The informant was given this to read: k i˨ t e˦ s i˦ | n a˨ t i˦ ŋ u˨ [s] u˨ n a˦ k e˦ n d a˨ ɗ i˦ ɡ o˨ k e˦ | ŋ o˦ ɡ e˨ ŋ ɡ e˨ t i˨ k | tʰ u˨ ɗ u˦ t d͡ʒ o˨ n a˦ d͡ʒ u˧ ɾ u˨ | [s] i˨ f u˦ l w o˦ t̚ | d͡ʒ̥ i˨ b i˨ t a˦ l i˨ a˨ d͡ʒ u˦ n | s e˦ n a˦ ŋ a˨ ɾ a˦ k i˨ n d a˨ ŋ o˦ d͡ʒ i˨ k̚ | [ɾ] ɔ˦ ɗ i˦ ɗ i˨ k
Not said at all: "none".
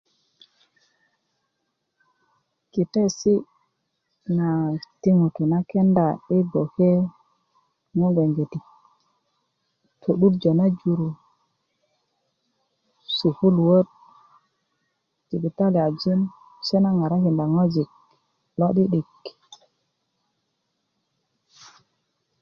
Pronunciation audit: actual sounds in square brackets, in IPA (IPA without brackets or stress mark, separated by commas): t, s, l